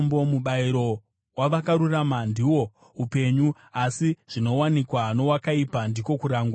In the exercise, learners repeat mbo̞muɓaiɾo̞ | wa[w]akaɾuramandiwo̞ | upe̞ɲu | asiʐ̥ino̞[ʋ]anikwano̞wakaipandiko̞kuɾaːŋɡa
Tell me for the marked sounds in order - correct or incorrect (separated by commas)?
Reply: incorrect, incorrect